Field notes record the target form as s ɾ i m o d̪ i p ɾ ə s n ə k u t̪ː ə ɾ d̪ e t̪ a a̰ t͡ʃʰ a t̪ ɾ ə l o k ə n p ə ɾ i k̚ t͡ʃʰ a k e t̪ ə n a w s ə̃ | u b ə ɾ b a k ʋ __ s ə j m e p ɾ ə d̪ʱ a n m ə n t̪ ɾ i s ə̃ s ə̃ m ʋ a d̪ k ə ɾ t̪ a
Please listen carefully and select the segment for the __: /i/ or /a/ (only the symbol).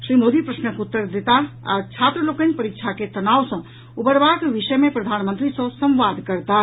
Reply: i